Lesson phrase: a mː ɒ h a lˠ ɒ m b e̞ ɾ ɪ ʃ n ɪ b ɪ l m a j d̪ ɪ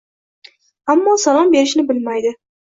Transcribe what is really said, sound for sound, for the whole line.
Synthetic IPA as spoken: a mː ɒ s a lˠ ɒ m b e̞ ɾ ɪ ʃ n ɪ b ɪ l m a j d̪ ɪ